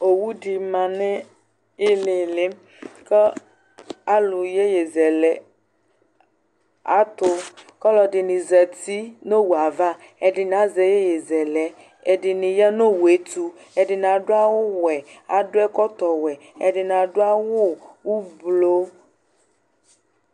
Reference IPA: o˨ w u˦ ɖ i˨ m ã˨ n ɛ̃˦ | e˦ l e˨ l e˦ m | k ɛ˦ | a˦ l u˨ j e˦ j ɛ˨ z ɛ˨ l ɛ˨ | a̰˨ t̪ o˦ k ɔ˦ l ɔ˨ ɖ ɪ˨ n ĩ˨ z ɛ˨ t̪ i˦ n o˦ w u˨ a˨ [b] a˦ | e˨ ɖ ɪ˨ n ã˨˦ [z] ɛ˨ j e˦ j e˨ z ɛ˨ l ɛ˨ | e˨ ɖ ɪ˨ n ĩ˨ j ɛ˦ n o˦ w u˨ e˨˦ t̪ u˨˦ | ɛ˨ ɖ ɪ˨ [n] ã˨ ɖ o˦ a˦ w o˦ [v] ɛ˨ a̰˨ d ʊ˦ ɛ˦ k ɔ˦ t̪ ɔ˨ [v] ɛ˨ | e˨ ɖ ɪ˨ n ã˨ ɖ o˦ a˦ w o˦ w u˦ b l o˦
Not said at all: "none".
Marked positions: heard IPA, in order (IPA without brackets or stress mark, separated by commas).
v, z, n, w, w